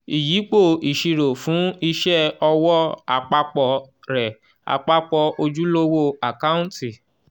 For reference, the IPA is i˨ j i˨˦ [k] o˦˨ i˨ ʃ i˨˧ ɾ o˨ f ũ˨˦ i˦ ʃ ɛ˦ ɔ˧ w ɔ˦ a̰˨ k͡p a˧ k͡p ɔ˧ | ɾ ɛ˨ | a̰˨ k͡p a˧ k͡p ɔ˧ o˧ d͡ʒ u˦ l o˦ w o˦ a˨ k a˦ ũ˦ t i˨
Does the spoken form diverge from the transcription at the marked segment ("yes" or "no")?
yes